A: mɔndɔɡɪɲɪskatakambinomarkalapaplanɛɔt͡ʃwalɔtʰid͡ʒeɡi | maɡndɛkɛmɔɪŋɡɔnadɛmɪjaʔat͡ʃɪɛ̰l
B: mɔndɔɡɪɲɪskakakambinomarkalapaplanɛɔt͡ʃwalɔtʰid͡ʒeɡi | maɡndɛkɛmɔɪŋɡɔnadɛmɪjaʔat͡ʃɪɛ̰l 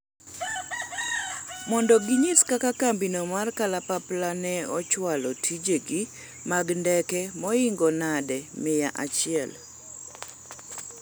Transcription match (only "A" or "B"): B